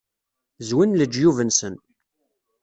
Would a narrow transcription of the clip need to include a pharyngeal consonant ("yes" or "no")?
no